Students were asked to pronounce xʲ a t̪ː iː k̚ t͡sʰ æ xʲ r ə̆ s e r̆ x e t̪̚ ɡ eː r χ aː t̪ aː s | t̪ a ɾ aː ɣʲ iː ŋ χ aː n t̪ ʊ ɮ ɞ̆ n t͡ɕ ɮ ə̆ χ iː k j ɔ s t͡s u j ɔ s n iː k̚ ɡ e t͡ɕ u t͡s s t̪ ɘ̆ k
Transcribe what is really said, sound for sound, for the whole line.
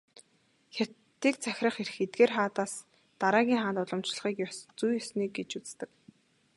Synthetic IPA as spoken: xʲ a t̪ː iː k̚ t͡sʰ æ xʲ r ə̆ χ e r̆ x e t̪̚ ɡ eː r χ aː t̪ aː s | t̪ a ɾ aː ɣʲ iː ŋ χ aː n t̪ ʊ ɮ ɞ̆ m t͡ɕ ɮ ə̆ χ iː k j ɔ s t͡s u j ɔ s n iː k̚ ɡ e t͡ɕ u t͡s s t̪ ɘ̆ k

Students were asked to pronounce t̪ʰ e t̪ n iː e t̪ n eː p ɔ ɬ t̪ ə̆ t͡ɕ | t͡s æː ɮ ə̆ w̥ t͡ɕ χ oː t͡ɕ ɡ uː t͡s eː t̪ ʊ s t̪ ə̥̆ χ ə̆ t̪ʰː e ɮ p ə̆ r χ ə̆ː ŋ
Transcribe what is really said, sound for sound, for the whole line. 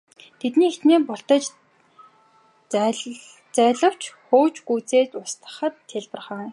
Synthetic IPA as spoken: t̪ʰ e t̪ n iː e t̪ n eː p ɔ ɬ t̪ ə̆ t͡ɕ | t͡s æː ɮ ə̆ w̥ t͡ɕ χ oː t͡ɕ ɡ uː t͡s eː t̪ ʊ s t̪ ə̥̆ χ ə̆ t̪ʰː e ɮ p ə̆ r χ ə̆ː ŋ

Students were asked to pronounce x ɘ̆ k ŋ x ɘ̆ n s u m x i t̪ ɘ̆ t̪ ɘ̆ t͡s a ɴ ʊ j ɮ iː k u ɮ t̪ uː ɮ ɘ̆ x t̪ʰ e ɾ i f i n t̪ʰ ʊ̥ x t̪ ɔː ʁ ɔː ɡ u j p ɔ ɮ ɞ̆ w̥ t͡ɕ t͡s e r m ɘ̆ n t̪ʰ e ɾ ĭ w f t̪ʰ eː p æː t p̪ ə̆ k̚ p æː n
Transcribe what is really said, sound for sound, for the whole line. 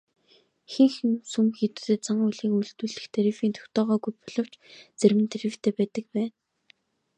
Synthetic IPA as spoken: x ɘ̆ ŋ x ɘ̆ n s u m x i t̪ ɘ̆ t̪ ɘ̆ t͡s a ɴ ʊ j ɮ iː k u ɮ t̪ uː ɮ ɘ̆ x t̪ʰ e ɾ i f iː n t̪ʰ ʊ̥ x t̪ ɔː ʁ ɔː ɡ u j p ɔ ɮ ɞ̆ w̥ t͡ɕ t͡s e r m ɘ̆ n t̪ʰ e ɾ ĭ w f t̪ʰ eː p æː t p̪ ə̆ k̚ p æː n

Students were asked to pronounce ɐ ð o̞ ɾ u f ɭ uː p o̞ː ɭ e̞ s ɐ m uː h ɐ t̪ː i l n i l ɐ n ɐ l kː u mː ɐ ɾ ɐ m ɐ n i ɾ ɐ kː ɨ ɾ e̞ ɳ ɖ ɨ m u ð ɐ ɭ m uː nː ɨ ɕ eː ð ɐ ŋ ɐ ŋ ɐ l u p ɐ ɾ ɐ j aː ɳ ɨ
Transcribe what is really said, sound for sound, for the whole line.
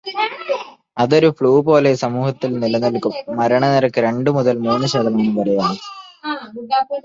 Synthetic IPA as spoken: ɐ ð o̞ ɾ u f ɭ uː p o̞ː l e̞ s ɐ m uː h ɐ t̪ː i l n i l ɐ n ɐ l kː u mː ɐ ɾ ɐ ɳ ɐ n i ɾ ɐ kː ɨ ɾ e̞ ɳ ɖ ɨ m u ð ɐ l m uː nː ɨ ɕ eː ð ɐ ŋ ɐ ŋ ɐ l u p ɐ ɾ ɐ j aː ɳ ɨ

